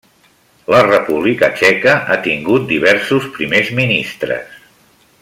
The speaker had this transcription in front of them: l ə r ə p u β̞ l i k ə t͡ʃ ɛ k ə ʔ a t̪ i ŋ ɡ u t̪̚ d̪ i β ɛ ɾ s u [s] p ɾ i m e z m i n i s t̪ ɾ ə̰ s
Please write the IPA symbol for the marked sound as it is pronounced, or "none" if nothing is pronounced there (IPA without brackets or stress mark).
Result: s